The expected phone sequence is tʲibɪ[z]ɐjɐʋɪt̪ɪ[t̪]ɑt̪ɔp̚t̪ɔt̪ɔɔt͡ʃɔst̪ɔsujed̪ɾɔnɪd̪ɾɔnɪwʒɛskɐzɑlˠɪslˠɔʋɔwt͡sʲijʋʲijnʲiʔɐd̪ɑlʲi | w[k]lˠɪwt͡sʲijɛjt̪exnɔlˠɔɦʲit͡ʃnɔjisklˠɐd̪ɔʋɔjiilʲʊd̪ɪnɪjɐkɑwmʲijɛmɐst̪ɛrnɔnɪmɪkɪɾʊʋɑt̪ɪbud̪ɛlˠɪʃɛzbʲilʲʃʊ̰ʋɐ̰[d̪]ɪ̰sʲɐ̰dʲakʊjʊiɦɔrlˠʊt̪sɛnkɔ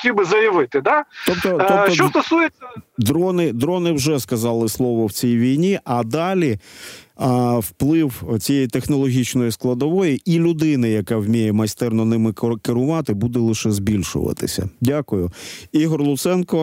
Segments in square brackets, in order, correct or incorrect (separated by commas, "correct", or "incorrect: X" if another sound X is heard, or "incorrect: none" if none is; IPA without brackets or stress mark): correct, incorrect: d̪, incorrect: p, incorrect: t̪